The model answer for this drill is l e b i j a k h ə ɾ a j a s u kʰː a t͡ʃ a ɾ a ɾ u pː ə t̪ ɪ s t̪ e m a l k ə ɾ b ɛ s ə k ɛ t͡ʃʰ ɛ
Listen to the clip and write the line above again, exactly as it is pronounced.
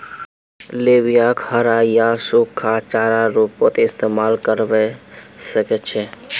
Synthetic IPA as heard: l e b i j a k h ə ɾ a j a s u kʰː a t͡ʃ a ɾ a ɾ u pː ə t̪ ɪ s t̪ e m a l k ə ɾ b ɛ s ə k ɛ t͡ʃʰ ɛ

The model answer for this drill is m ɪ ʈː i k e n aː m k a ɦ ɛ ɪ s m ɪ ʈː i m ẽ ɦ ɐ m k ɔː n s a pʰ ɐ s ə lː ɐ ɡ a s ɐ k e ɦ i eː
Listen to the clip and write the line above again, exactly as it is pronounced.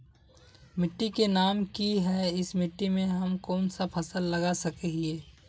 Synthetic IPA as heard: m ɪ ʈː i k e n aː m k i ɦ ɛ ɪ s m ɪ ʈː i m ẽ ɦ ɐ m k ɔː n s a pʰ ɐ s ə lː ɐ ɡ a s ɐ k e ɦ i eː

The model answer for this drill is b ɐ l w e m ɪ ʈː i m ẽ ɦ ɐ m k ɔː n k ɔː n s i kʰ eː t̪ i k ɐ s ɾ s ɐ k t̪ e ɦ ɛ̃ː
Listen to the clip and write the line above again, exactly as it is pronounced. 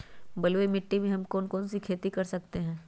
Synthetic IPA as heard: b ɐ l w e m ɪ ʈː i m ẽ ɦ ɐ m k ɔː n k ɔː n s i kʰ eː t̪ i k ɐ ɾ s ɐ k t̪ e ɦ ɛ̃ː

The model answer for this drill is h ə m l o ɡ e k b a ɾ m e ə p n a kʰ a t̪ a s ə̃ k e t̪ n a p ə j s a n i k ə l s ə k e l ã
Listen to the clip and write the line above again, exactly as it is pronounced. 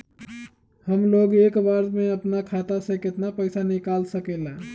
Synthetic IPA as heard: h ə m l o ɡ e k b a ɾ m e ə p n a kʰ a t̪ a s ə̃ k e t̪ n a p ə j s a n i k a l s ə k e l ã

